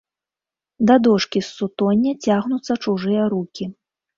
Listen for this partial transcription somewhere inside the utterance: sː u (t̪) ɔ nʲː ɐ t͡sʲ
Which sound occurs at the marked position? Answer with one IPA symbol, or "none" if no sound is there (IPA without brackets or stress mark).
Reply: t̪